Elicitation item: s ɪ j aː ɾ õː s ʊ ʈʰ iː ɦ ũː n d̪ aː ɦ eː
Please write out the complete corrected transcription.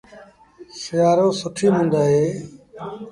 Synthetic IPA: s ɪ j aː ɾ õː s ʊ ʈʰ iː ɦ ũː n d̪ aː ɦ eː